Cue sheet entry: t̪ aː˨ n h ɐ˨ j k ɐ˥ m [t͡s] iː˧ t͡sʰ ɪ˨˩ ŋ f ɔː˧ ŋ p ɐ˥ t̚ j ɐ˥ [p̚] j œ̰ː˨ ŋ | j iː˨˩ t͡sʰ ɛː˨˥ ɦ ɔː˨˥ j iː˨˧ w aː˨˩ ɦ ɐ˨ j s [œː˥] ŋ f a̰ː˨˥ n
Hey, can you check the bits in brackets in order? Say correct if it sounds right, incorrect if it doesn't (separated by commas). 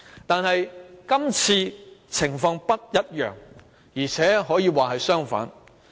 incorrect, incorrect, correct